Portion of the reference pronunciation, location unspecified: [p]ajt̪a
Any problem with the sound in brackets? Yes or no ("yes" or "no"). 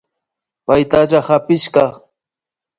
no